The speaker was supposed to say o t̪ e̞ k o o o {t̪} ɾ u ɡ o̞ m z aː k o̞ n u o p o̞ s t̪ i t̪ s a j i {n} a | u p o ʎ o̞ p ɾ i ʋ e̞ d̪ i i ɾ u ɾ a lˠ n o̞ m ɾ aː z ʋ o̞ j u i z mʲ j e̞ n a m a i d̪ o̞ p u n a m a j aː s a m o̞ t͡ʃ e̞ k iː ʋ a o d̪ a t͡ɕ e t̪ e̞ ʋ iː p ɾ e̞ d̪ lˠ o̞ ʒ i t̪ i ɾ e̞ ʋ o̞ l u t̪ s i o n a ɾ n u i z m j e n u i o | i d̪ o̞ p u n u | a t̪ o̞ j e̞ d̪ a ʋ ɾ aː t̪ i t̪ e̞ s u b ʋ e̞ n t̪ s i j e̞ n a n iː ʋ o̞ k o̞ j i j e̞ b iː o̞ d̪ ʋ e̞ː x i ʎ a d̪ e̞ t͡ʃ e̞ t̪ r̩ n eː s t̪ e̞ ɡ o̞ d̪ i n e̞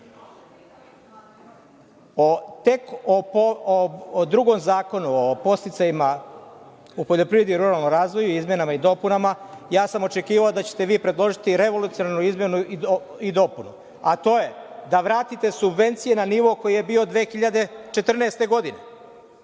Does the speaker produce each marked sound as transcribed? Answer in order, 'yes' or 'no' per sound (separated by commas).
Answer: no, no